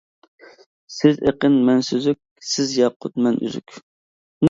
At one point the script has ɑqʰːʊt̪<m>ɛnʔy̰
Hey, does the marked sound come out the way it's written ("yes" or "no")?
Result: yes